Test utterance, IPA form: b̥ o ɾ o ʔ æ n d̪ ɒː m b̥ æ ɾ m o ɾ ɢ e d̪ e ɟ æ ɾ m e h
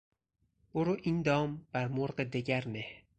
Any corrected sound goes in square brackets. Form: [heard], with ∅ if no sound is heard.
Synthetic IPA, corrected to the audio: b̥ o ɾ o ʔ [i] n d̪ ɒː m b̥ æ ɾ m o ɾ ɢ e d̪ e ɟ æ ɾ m e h